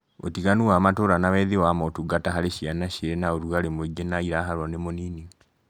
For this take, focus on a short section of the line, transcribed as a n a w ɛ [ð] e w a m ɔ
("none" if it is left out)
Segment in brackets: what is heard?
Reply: ð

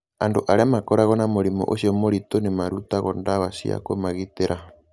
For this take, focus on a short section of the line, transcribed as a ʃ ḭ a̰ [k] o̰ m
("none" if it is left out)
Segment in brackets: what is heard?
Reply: k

